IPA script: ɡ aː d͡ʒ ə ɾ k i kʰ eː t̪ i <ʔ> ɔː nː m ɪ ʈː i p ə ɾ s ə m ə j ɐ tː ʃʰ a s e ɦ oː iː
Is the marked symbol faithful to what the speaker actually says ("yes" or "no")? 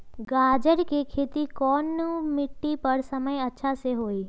no